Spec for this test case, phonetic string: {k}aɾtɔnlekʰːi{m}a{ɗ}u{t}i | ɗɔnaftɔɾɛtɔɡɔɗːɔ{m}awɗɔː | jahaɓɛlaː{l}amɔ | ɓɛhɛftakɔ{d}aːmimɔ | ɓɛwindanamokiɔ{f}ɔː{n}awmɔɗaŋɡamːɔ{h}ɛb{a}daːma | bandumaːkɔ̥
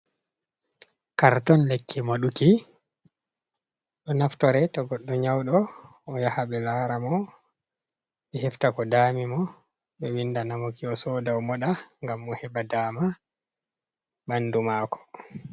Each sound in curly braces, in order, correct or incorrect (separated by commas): correct, correct, correct, incorrect, incorrect, incorrect, correct, incorrect, incorrect, correct, correct